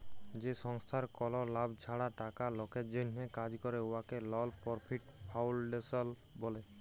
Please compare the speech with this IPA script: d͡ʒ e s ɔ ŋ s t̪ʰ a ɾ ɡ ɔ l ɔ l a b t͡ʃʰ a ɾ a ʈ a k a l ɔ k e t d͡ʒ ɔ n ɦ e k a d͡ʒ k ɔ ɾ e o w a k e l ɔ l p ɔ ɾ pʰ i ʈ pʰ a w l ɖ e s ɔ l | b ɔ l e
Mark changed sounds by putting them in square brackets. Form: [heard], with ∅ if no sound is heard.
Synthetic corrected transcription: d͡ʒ e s ɔ ŋ s t̪ʰ a ɾ [k] ɔ l ɔ l a b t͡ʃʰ a [ɽ] a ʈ a k a l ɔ k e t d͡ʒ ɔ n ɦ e k a d͡ʒ k ɔ ɾ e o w a k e l ɔ l p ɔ ɾ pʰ i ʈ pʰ a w l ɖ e s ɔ l | b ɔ l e